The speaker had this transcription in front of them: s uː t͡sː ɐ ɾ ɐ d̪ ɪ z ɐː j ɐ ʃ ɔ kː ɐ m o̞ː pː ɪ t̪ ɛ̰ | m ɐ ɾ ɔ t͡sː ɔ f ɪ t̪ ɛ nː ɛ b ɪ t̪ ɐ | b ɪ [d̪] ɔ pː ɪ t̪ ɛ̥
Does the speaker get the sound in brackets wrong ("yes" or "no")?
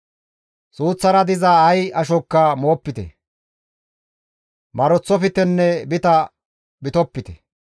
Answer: yes